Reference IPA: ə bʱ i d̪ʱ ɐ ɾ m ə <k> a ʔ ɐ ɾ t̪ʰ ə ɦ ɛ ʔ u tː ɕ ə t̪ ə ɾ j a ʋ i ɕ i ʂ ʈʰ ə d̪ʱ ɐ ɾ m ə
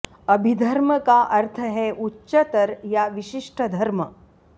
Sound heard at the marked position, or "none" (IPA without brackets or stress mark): k